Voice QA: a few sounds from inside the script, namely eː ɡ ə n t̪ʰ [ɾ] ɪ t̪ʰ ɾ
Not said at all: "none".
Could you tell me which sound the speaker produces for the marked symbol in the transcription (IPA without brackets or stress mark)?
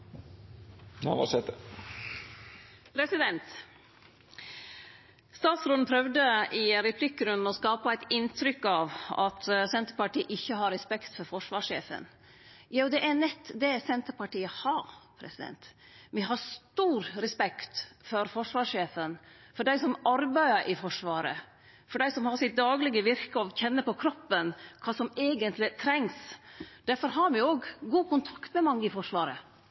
l